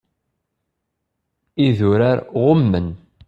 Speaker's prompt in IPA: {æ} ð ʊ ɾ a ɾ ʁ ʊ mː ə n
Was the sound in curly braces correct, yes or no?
no